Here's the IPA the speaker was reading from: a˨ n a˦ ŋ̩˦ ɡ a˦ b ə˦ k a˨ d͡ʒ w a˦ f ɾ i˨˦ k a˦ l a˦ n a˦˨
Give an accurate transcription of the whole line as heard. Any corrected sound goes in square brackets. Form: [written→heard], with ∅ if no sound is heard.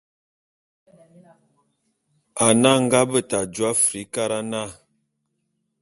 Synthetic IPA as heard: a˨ n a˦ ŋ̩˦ ɡ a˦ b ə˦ [k→t] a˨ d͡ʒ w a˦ f ɾ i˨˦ k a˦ [l→ɾ] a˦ n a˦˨